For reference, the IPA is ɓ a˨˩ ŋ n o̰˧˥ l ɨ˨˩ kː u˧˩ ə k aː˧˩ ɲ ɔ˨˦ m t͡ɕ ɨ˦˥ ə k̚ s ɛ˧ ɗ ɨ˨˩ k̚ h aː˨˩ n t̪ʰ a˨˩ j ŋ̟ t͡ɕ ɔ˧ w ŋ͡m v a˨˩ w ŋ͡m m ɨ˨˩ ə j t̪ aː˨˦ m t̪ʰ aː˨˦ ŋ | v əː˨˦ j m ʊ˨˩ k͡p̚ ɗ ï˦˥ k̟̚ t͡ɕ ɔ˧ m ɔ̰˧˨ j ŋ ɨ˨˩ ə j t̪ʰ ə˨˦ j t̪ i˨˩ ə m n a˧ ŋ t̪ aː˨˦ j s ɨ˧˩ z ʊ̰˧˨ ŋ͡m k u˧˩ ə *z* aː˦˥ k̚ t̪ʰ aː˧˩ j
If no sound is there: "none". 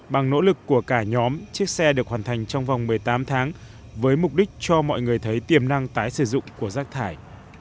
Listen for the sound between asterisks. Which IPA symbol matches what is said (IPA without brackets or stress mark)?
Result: z